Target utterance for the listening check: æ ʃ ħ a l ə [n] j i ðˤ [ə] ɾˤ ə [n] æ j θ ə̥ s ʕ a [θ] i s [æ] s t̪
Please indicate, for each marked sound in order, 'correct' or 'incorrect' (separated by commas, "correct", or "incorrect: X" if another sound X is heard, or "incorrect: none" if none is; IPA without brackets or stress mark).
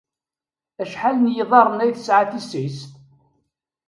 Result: correct, incorrect: ɑ, correct, correct, incorrect: i